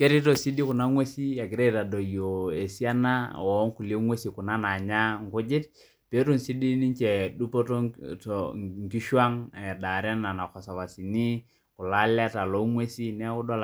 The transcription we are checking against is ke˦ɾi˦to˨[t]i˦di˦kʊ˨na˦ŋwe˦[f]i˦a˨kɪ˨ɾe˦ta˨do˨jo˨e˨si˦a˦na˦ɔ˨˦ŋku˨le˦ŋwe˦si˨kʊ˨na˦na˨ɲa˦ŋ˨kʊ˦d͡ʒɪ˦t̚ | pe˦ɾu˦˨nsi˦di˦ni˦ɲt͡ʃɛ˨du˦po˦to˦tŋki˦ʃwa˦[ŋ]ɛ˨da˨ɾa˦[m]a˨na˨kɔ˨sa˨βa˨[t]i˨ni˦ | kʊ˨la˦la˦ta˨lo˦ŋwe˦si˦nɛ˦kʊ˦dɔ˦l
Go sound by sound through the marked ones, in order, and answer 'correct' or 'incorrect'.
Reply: incorrect: s, incorrect: s, correct, incorrect: n, incorrect: s

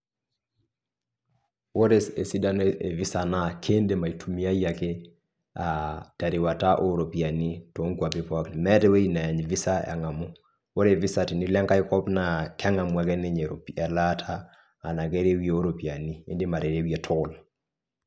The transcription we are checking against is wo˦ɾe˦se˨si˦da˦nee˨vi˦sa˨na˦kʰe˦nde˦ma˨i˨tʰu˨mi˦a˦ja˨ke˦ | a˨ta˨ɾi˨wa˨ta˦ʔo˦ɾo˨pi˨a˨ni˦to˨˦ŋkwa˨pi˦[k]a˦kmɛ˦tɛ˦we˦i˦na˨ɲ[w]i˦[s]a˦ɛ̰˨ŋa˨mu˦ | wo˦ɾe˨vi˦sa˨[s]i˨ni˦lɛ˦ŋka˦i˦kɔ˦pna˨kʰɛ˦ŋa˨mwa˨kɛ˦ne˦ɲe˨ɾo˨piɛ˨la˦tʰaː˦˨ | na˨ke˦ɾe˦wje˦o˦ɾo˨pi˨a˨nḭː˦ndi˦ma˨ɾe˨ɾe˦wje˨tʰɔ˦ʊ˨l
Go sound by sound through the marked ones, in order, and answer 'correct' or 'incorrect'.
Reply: incorrect: p, incorrect: v, correct, incorrect: t

